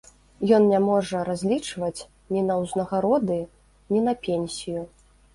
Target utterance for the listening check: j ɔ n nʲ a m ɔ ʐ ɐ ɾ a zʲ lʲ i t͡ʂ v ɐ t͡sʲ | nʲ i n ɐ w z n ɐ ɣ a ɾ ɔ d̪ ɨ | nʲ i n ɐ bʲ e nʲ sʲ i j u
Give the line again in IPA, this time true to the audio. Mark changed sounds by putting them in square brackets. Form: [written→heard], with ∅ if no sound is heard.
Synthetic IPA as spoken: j ɔ n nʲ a m ɔ ʐ ɐ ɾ a zʲ lʲ i t͡ʂ v ɐ t͡sʲ | nʲ i n ɐ w z n ɐ ɣ a ɾ ɔ d̪ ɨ | nʲ i n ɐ [bʲ→pʲ] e nʲ sʲ i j u